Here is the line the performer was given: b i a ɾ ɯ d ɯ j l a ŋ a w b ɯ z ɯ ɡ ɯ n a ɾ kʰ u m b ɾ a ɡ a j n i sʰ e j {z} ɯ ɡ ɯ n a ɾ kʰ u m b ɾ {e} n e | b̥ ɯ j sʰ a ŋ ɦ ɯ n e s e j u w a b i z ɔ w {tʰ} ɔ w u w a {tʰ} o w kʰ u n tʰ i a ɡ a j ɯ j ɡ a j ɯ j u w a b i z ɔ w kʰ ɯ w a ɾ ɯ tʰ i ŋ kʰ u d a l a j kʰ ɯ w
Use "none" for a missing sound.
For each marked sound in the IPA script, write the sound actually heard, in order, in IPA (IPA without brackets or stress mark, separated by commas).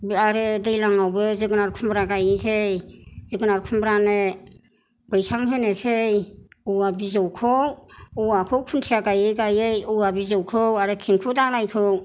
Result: z, a, kʰ, kʰ